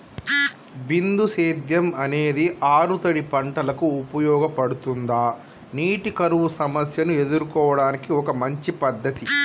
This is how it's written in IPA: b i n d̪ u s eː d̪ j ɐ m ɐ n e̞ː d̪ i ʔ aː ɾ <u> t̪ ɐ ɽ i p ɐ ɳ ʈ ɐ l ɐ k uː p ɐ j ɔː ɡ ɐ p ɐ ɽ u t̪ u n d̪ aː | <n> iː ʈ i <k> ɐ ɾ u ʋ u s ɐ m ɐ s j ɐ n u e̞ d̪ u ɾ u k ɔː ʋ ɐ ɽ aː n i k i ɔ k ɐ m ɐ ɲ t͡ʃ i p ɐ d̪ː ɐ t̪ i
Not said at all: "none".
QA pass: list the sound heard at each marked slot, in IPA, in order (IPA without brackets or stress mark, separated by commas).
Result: u, n, k